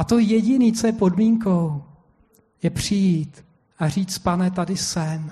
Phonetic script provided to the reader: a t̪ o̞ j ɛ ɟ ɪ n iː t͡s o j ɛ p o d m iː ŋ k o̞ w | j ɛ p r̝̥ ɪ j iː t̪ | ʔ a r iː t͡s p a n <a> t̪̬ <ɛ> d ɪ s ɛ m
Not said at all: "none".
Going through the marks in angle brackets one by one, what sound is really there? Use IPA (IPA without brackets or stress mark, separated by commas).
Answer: ɛ, a